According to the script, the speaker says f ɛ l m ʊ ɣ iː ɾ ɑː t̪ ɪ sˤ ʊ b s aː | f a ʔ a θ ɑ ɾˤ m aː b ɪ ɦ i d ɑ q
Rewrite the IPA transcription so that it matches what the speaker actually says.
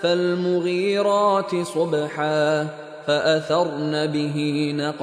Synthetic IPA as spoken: f a l m ʊ ɣ iː ɾ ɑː t̪ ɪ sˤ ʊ b ħ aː | f a ʔ a θ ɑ ɾˤ n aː b ɪ ɦ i n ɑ q